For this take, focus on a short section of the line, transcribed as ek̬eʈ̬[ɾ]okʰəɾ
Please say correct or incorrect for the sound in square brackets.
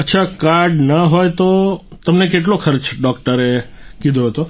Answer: incorrect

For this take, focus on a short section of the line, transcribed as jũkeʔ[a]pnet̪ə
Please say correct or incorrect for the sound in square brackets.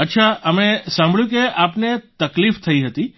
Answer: correct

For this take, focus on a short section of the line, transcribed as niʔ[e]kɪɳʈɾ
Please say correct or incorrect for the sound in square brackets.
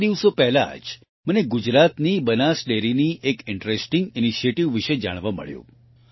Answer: correct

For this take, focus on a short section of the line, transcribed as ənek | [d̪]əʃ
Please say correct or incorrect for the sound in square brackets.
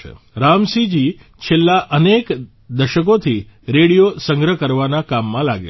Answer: correct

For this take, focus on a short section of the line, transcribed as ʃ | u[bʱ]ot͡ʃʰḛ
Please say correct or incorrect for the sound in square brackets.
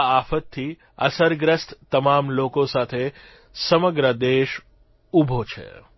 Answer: correct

